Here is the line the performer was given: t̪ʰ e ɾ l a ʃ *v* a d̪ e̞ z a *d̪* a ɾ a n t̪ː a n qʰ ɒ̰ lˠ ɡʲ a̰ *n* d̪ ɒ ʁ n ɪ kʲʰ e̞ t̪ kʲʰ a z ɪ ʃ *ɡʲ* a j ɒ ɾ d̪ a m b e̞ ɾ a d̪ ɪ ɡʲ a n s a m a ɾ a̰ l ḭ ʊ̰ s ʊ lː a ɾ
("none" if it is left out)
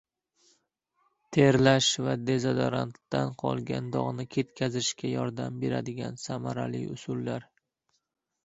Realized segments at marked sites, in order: v, d̪, n, kʲ

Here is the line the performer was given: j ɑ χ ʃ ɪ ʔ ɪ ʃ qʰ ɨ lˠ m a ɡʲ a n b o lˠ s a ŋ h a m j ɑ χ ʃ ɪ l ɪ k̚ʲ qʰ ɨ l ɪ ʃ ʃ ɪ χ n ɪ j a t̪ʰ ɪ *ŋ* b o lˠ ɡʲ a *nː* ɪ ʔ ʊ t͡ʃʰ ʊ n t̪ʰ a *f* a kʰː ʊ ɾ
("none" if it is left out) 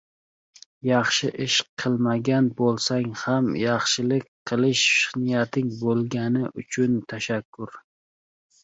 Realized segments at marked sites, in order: ŋ, n, ʃ

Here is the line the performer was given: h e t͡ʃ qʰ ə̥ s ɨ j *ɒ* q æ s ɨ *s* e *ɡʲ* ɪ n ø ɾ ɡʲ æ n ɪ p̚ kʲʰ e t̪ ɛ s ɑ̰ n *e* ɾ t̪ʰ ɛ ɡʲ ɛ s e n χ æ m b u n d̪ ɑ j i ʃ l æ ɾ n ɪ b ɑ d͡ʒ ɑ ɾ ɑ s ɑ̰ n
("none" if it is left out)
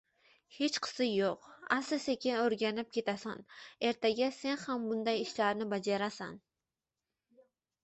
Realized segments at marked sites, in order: o, s, kʲ, e

